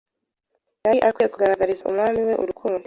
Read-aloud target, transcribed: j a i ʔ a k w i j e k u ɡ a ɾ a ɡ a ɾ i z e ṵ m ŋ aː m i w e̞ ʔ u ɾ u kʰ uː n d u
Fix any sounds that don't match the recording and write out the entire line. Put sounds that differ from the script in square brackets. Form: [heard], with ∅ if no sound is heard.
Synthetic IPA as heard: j a i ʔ a k w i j e k u ɡ a ɾ a ɡ a ɾ i z [a] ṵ m ŋ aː m i w e̞ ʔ u ɾ u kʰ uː n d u